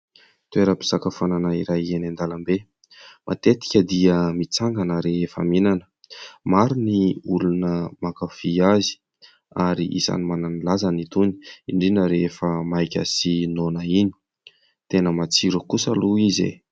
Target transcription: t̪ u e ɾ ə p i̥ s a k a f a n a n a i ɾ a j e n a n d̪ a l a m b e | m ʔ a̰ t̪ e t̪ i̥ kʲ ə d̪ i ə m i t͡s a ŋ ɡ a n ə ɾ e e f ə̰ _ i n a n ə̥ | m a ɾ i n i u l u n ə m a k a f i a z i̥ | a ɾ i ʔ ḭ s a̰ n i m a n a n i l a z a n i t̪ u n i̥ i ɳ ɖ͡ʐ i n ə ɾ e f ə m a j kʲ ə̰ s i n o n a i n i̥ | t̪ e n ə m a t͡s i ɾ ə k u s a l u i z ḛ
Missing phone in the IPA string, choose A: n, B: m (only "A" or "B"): B